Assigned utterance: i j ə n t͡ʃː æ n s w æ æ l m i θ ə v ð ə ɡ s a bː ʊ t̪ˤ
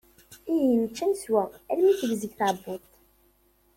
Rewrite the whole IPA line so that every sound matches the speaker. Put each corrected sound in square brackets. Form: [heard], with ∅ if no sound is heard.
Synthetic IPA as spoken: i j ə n t͡ʃː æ n s w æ æ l m i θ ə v [z] ə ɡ [θ] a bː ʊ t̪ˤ